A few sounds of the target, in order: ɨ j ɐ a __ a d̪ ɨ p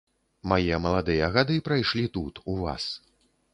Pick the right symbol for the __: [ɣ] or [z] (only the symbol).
ɣ